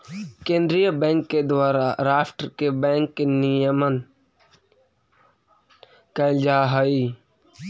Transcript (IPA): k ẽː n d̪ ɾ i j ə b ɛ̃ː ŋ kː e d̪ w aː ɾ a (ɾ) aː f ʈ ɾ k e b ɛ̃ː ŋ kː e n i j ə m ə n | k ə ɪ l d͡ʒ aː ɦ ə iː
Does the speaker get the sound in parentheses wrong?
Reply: no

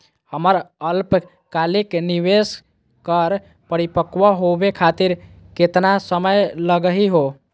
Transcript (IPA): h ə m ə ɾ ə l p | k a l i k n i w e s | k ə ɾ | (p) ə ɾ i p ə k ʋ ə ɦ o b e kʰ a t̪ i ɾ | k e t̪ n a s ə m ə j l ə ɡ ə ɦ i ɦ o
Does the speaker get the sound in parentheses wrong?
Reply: no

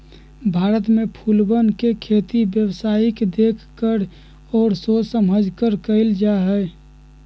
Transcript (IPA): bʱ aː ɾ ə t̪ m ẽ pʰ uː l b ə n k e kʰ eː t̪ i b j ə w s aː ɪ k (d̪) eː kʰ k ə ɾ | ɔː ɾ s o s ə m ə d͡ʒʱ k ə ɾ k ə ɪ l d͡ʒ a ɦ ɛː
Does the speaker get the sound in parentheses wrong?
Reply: no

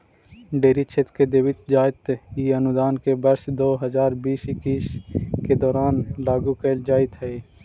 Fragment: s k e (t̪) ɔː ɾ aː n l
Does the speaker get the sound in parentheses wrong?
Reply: yes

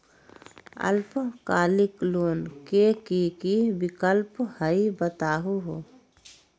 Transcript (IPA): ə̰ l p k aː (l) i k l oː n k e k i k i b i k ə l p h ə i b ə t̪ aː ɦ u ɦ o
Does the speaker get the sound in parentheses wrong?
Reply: no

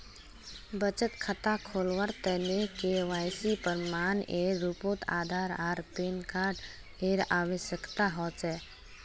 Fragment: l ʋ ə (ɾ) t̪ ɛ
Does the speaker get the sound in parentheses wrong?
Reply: no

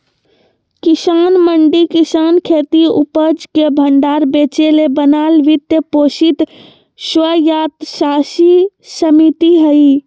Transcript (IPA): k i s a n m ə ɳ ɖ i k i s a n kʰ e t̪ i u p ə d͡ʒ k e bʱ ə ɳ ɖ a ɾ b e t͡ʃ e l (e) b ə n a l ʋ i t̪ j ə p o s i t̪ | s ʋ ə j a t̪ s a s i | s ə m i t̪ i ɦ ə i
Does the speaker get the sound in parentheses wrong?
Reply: no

